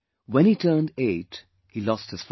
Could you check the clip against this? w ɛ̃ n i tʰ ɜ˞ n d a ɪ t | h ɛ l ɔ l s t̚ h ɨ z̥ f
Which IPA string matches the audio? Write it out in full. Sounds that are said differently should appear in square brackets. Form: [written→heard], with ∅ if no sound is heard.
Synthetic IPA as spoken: w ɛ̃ n i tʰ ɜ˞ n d [a→e] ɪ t | h [ɛ→i] l ɔ [l→∅] s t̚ h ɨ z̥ f